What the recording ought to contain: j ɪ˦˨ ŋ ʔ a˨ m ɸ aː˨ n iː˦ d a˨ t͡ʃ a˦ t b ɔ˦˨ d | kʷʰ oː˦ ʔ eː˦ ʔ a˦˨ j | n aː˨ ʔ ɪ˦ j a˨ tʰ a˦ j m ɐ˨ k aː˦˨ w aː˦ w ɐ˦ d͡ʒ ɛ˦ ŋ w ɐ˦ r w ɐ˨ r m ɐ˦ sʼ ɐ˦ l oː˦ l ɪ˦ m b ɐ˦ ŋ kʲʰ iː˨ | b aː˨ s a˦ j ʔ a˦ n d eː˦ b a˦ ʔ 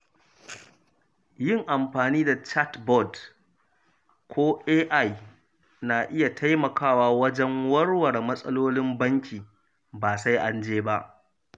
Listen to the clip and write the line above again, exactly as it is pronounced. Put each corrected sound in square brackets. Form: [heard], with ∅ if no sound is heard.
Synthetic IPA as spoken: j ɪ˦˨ ŋ ʔ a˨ m ɸ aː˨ n iː˦ d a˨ t͡ʃ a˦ t b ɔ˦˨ d | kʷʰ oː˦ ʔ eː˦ ʔ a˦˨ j | n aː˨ ʔ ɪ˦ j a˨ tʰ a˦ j m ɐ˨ k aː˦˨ w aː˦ w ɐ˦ d͡ʒ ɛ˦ ŋ w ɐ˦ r w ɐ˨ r m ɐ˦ sʼ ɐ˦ l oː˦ l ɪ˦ m b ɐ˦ ŋ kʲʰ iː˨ | b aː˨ s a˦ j ʔ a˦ n [d͡ʒ] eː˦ b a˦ ʔ